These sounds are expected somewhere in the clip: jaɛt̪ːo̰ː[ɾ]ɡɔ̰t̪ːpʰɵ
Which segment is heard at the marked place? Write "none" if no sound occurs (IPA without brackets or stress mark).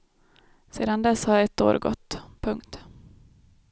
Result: ɾ